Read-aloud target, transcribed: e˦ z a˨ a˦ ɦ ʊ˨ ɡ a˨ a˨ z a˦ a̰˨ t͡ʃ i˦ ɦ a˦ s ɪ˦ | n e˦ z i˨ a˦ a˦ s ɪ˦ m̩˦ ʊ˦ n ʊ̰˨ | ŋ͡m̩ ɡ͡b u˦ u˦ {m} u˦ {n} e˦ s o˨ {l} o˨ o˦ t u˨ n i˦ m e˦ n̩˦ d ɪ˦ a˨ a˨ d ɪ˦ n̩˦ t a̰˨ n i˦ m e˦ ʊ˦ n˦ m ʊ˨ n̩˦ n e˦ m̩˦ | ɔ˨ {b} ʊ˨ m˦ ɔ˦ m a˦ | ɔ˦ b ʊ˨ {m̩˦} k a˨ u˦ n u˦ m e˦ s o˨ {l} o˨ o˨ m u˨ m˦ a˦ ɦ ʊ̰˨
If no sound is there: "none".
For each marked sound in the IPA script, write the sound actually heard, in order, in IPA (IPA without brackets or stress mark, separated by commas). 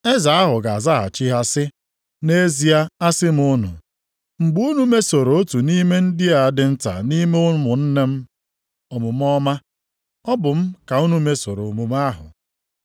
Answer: n, m, ɾ, m, m̩˦, ɾ